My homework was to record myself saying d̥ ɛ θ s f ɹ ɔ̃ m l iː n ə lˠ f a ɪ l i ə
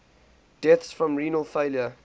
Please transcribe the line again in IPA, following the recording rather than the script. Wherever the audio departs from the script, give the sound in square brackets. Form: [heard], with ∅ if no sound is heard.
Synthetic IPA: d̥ ɛ θ s f ɹ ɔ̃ m [ɹ] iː n ə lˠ f [e] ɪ l [j] ə